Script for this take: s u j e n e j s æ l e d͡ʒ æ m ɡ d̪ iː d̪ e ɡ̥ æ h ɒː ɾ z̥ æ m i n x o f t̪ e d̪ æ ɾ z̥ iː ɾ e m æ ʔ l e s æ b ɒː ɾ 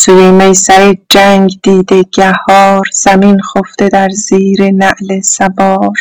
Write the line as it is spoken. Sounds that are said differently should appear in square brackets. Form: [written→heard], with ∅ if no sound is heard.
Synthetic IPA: s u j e [n→m] e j s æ [l→ɾ] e d͡ʒ æ [m→ŋ] ɡ d̪ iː d̪ e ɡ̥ æ h ɒː ɾ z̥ æ m i n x o f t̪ e d̪ æ ɾ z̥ iː ɾ e [m→n] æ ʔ l e s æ b ɒː ɾ